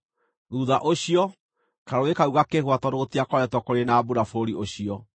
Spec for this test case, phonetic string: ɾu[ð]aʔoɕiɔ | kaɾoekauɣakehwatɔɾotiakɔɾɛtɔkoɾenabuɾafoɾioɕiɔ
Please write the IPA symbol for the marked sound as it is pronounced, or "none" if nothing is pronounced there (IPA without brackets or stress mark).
ð